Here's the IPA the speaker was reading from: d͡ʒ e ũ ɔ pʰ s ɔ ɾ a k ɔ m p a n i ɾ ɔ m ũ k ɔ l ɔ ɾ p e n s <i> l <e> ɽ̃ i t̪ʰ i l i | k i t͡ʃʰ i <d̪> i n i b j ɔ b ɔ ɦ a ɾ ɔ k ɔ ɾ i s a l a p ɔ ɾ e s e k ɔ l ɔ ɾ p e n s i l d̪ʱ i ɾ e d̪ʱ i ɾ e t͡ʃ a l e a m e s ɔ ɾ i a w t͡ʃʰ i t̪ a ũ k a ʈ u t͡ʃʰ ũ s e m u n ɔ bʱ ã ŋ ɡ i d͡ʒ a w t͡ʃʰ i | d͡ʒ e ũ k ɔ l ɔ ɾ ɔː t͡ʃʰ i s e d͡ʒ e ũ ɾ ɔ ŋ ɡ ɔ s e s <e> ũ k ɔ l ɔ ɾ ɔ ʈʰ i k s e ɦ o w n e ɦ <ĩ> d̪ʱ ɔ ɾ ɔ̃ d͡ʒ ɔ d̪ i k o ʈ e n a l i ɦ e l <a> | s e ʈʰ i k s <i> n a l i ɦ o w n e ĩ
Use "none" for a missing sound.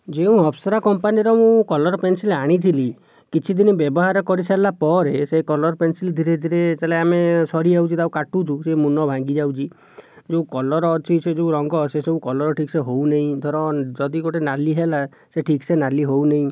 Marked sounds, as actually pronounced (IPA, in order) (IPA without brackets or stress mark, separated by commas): i, a, d̪, e, ĩ, a, e